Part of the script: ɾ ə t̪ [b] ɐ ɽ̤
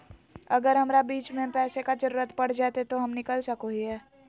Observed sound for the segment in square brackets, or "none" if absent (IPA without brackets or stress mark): p